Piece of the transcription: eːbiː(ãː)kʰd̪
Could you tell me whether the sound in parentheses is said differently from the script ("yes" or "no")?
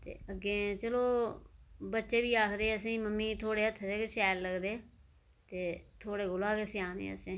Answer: yes